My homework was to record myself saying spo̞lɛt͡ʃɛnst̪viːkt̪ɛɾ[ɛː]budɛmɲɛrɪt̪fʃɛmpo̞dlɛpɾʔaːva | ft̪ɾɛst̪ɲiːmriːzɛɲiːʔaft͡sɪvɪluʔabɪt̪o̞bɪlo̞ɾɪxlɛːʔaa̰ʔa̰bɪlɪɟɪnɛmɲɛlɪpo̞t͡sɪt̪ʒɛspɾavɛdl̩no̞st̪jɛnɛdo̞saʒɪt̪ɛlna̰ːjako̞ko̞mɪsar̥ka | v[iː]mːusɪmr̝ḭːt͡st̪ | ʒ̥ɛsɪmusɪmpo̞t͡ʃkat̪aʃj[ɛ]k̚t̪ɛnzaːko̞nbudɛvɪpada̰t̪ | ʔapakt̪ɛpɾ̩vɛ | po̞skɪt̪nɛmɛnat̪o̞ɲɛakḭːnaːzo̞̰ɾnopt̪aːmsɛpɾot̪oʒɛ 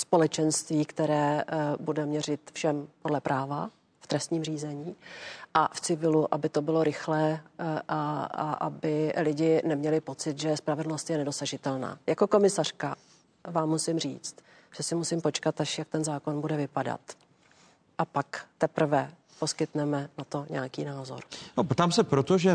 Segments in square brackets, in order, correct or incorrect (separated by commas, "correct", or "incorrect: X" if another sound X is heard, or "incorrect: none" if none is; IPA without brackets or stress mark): correct, incorrect: aː, incorrect: a